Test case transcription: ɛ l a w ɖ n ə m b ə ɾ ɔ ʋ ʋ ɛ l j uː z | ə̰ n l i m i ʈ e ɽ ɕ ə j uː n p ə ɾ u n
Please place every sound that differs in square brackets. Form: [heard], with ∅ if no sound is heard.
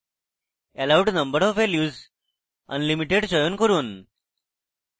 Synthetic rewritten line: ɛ l a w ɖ n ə m b ə ɾ ɔ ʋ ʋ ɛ l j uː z | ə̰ n l i m i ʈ e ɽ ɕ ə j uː n [k] ə ɾ [uː] n